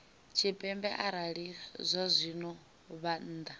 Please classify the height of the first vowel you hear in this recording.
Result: high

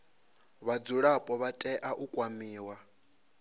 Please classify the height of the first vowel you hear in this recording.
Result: low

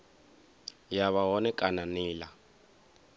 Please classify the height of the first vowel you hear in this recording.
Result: low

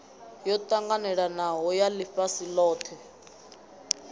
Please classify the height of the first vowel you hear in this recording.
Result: mid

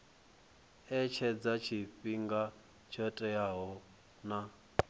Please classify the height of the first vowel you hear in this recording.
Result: mid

